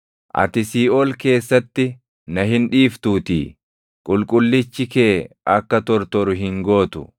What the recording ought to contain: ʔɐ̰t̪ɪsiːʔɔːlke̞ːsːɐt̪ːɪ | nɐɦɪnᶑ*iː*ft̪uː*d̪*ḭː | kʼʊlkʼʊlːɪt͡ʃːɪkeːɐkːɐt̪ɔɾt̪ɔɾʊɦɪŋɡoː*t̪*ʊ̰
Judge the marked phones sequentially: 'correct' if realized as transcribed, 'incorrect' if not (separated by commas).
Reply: correct, incorrect, correct